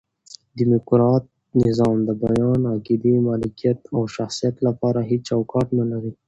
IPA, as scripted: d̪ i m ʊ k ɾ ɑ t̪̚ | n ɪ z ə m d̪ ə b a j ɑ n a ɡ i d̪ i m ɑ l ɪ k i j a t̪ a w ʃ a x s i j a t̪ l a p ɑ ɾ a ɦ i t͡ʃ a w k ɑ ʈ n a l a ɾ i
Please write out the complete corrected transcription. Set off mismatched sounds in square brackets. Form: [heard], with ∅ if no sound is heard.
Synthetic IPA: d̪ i m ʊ k ɾ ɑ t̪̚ | n ɪ z [ɑ] m d̪ ə b a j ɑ n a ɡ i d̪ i m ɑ l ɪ k i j a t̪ a w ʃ a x s i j a t̪ l a p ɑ ɾ a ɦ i t͡ʃ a w k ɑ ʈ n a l a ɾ i